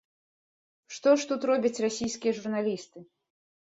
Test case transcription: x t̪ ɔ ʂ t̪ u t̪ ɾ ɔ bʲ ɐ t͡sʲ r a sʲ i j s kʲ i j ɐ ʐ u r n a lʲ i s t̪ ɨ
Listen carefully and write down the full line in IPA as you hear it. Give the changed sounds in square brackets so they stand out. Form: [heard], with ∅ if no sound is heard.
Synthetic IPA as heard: [ʂ] t̪ ɔ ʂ t̪ u t̪ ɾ ɔ bʲ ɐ t͡sʲ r a sʲ i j s kʲ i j ɐ ʐ u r n a lʲ i s t̪ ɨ

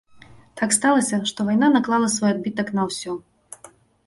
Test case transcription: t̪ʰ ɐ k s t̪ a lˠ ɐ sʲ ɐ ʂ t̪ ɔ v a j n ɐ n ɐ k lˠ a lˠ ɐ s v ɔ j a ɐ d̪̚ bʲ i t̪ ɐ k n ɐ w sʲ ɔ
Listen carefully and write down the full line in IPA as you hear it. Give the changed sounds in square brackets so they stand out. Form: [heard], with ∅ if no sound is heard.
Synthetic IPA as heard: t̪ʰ [a] k s t̪ a lˠ ɐ sʲ ɐ ʂ t̪ ɔ v a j n [a] n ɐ k lˠ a lˠ ɐ s v ɔ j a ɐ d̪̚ bʲ i t̪ ɐ k n ɐ w sʲ ɔ

